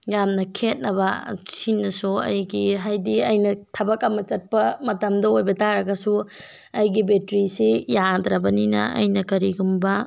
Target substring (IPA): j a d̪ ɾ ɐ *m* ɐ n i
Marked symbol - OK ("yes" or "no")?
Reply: no